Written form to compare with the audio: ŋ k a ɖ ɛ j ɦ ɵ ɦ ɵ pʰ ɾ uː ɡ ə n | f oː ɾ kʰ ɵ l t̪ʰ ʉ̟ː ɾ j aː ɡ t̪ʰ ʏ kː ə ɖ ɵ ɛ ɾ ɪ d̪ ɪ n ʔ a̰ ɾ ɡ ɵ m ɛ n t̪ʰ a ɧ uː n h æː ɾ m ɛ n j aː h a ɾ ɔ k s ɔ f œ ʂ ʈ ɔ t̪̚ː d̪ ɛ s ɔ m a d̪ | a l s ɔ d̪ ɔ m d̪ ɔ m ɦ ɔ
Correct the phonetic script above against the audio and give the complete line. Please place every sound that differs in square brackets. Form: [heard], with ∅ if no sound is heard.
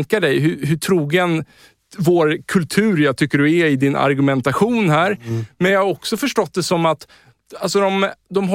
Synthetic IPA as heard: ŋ k a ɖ ɛ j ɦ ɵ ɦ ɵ [ʈʰ] ɾ uː ɡ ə n | [v] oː ɾ kʰ ɵ l t̪ʰ ʉ̟ː ɾ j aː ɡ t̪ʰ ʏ kː ə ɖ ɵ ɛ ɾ ɪ d̪ ɪ n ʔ a̰ ɾ ɡ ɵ m ɛ n [t̪] a ɧ uː n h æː ɾ m ɛ n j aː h a ɾ ɔ k s ɔ f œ ʂ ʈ ɔ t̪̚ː d̪ ɛ s ɔ m a [t̪] | a l s ɔ d̪ ɔ m d̪ ɔ m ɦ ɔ